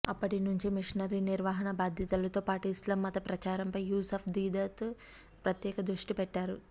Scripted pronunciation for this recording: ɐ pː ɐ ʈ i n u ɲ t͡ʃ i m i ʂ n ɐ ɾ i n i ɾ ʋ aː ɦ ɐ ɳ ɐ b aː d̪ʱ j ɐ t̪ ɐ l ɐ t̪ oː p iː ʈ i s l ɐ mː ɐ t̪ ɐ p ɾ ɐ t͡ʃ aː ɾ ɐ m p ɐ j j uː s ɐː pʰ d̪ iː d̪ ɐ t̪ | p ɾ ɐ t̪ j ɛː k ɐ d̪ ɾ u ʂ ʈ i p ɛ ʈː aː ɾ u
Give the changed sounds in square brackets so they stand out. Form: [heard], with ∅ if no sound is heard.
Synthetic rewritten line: ɐ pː ɐ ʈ i n u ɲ t͡ʃ i m i ʂ n ɐ ɾ i n i ɾ ʋ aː ɦ ɐ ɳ ɐ b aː d̪ʱ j ɐ t̪ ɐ l ɐ t̪ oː p [aː] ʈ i s l ɐ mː ɐ t̪ ɐ p ɾ ɐ t͡ʃ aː ɾ ɐ m p ɐ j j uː s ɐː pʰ d̪ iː d̪ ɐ t̪ | p ɾ ɐ t̪ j ɛː k ɐ d̪ ɾ u ʂ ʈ i p ɛ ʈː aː ɾ u